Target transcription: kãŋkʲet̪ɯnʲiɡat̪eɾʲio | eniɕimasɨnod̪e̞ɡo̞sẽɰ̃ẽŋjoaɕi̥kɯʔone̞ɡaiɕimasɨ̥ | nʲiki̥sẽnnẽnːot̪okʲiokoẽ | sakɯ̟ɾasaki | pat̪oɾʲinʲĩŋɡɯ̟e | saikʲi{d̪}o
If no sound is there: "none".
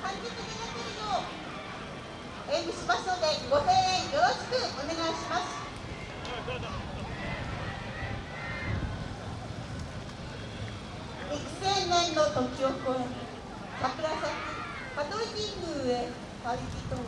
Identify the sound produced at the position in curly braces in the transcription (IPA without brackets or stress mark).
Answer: t̪